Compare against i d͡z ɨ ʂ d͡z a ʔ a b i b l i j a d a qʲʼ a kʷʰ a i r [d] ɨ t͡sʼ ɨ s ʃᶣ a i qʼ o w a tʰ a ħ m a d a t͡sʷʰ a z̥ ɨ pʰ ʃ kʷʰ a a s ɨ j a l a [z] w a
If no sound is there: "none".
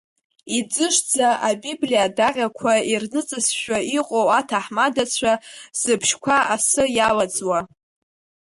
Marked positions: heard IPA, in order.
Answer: n, d͡z

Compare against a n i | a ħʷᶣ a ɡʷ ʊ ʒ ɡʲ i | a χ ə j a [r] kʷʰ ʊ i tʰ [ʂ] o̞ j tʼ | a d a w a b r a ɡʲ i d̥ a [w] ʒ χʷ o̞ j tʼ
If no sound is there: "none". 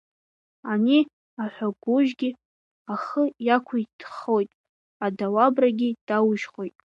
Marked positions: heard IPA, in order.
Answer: none, χ, w

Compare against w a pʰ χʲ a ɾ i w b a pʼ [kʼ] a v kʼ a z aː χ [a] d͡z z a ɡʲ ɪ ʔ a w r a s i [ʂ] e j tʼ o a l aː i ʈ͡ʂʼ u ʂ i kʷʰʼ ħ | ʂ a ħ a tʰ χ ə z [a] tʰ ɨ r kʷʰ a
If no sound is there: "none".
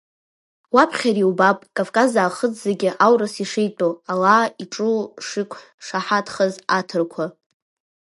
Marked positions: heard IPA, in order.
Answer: kʼ, ə, ʂ, a

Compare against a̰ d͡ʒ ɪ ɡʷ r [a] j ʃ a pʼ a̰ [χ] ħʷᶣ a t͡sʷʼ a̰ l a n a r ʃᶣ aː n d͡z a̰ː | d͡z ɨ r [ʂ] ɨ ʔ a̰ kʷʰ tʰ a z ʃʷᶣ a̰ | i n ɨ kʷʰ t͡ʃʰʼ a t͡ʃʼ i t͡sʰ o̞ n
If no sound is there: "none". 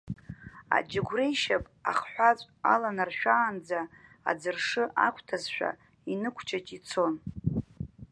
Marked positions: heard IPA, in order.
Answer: e, χ, ʂ

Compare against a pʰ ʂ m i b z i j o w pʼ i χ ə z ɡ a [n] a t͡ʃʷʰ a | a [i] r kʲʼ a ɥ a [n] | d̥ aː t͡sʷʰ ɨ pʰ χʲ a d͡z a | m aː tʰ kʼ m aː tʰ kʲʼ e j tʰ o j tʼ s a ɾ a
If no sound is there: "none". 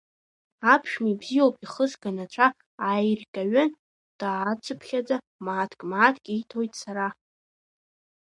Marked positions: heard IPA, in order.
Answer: n, j, n

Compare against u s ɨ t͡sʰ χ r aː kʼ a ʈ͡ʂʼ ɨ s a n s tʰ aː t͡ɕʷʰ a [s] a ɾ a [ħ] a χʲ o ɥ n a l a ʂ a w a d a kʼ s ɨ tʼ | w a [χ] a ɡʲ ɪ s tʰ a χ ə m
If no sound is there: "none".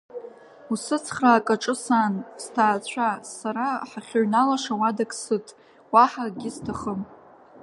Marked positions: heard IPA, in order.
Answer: s, ħ, ħ

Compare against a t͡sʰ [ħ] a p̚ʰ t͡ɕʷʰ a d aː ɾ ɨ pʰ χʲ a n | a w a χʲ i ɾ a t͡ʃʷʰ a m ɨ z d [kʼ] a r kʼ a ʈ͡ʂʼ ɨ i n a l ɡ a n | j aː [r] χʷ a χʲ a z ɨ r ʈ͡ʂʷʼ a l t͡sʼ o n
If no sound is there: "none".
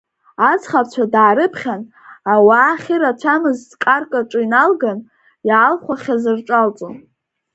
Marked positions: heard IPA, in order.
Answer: χ, kʼ, l

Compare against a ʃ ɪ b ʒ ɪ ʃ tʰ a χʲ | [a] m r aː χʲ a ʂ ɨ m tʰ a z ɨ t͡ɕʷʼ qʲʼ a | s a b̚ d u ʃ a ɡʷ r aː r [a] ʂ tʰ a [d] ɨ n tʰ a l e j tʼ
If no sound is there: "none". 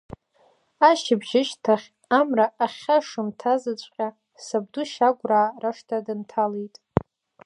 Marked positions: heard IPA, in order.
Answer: a, a, d

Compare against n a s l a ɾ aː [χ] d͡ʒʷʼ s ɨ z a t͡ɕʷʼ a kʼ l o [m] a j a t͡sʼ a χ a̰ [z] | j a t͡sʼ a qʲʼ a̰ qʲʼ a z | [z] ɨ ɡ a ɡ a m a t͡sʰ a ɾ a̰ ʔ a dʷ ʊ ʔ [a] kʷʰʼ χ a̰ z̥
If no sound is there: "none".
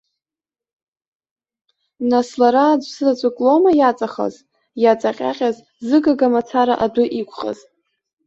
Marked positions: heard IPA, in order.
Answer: none, m, z, z, i

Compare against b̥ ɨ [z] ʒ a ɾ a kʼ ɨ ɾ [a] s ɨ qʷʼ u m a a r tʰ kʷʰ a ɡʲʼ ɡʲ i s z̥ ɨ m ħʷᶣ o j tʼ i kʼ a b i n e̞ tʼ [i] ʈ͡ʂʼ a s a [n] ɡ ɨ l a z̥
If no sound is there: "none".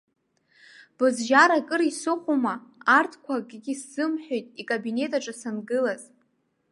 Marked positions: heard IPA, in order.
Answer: z, i, a, n

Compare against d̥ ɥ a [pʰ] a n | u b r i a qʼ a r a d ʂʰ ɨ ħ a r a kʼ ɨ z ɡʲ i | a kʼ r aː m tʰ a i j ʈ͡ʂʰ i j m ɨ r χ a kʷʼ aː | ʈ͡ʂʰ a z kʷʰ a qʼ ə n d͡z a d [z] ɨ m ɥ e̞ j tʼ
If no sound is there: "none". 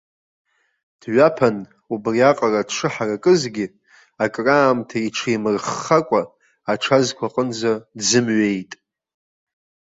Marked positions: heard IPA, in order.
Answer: pʰ, z

